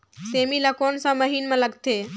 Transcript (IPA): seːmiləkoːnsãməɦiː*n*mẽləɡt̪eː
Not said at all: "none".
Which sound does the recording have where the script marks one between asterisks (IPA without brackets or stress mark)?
n